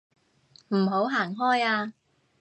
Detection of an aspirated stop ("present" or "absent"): absent